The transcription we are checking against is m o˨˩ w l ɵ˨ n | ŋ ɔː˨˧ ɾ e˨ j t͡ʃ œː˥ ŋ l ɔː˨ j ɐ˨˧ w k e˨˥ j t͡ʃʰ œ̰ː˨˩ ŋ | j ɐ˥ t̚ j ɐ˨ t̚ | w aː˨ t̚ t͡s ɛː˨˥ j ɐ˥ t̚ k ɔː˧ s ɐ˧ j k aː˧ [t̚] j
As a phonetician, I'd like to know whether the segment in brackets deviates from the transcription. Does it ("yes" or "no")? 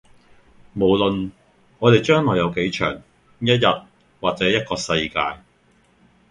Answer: yes